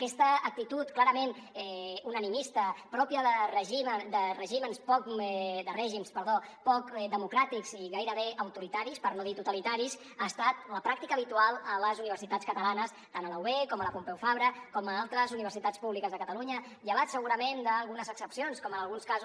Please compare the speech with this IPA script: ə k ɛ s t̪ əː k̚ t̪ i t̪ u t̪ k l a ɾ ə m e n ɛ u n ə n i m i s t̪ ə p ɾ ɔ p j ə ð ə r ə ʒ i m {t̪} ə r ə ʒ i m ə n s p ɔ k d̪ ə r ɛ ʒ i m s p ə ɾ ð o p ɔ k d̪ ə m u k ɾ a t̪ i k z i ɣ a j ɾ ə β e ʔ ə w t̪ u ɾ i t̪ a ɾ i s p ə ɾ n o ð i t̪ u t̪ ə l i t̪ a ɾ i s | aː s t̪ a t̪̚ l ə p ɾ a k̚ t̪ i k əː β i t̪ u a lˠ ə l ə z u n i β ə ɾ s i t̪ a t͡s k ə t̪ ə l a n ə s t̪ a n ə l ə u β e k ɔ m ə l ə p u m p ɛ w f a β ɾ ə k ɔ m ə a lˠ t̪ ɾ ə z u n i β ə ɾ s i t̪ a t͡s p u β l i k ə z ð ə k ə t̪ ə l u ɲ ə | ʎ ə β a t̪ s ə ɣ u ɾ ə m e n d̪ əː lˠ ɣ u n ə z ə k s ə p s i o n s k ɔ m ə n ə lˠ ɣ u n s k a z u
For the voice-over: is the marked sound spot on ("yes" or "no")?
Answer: no